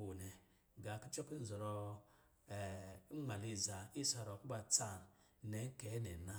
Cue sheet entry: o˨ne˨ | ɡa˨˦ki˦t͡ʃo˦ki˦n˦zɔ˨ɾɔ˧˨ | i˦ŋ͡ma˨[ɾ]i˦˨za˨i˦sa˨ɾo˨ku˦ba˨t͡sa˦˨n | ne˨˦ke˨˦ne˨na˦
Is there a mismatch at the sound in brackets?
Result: yes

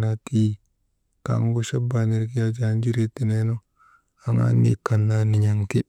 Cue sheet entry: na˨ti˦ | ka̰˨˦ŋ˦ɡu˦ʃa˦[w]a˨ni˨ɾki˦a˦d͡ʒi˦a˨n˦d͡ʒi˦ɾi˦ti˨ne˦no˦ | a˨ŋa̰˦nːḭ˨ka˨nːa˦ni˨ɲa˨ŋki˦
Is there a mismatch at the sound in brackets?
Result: yes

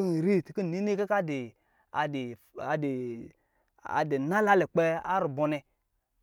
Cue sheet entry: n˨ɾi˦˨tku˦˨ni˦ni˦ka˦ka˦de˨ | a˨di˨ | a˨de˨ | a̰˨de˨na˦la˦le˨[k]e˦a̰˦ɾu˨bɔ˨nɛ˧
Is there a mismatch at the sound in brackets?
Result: yes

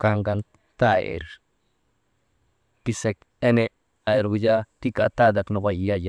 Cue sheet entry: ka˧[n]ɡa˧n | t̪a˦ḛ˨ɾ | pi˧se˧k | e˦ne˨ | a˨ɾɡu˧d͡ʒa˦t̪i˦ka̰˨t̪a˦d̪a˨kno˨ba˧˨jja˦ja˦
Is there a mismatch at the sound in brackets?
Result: yes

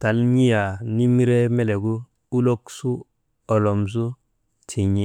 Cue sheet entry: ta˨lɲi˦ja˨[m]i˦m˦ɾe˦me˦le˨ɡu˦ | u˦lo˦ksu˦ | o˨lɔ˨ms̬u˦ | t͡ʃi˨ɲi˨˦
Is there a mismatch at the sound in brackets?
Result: yes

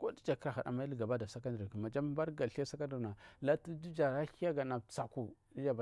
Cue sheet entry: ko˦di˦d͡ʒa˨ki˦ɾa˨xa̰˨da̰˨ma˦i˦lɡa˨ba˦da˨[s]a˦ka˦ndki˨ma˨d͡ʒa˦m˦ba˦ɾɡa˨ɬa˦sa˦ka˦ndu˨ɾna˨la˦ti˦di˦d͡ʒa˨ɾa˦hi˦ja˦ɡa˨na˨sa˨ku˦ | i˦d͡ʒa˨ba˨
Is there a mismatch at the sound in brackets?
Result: no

